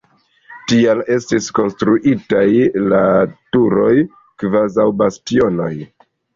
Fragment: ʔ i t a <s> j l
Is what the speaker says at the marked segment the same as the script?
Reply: no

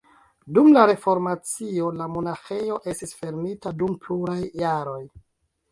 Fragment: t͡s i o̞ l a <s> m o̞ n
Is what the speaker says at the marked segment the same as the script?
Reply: no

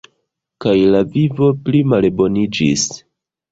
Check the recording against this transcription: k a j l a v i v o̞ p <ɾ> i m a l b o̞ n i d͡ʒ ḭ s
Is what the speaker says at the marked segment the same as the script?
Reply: no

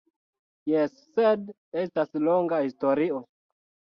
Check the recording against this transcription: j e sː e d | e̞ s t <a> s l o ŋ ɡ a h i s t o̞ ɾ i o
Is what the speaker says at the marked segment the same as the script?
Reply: yes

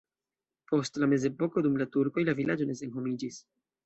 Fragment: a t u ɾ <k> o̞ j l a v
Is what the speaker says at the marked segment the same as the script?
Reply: yes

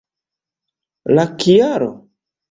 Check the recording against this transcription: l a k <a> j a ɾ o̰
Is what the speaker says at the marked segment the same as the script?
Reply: no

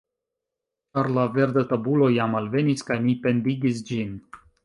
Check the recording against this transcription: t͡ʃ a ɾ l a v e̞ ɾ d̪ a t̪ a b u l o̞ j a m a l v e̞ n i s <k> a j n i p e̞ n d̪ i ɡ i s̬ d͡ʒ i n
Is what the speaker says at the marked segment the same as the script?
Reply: yes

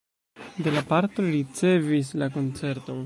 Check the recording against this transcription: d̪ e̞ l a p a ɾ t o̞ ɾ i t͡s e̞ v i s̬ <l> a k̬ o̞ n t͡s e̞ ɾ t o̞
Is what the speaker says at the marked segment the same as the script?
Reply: yes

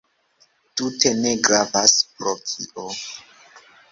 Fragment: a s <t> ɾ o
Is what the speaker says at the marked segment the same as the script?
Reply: no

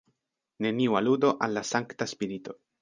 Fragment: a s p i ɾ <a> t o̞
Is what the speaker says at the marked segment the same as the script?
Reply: no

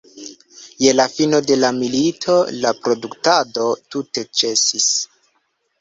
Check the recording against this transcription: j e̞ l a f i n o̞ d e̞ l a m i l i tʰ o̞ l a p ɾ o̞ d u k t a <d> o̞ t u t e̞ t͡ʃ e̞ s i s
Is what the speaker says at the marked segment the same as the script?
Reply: yes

